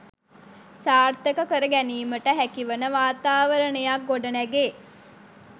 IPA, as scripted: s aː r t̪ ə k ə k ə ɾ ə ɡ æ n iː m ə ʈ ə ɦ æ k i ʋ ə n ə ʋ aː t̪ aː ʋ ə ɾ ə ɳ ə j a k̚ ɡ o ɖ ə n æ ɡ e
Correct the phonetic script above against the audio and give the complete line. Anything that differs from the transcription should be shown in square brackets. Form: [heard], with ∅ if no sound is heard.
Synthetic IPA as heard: s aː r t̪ ə k ə k ə ɾ ə ɡ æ n iː m ə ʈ ə ɦ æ k i ʋ ə n ə ʋ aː t̪ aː ʋ ə ɾ ə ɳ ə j a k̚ ɡ o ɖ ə n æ ɡ e